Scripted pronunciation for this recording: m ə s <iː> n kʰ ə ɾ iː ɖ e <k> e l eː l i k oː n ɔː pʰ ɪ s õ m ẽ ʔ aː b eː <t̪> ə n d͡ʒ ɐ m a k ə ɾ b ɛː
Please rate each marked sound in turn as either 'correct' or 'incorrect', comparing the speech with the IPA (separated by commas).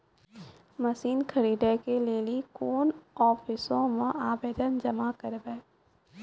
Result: correct, correct, incorrect